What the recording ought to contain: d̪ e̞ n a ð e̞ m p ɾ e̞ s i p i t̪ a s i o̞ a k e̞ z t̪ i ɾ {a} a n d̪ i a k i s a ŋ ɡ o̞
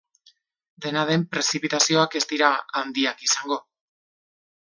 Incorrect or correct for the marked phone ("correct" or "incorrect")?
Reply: correct